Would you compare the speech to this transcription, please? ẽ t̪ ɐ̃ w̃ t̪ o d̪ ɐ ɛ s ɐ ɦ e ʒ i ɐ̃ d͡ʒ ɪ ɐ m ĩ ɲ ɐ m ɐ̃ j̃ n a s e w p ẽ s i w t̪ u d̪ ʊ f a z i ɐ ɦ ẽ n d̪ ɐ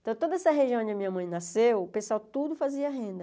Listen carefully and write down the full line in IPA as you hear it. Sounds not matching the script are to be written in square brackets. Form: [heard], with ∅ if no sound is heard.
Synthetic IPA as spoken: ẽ t̪ ɐ̃ w̃ t̪ o d̪ ɐ ɛ s ɐ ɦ e ʒ i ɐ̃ d͡ʒ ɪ ɐ m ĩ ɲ ɐ m ɐ̃ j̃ n a s e w p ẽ s [a] w t̪ u d̪ ʊ f a z i ɐ ɦ ẽ n d̪ ɐ